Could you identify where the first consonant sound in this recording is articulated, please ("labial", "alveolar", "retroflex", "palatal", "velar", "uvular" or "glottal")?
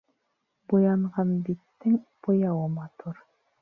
labial